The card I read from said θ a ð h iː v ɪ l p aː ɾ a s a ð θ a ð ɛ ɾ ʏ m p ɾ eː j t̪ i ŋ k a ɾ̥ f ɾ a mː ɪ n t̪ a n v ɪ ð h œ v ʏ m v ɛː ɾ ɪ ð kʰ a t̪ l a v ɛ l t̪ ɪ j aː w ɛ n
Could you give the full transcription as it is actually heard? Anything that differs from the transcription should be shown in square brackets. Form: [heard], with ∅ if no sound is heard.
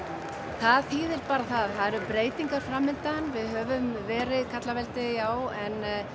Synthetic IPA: θ a ð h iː [ð] ɪ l p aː ɾ a [θ] a ð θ a ð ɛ ɾ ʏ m p ɾ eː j t̪ i ŋ k a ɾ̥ f ɾ a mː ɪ n t̪ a n v ɪ ð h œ v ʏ m v ɛː ɾ ɪ ð kʰ a t̪ l a v ɛ l t̪ ɪ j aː w ɛ n